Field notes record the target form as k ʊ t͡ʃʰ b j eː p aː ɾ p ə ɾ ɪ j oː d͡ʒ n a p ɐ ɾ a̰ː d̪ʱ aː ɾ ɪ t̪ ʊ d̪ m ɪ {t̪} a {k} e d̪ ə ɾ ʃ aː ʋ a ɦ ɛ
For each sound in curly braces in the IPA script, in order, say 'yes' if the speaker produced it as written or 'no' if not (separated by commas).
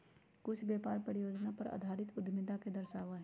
no, yes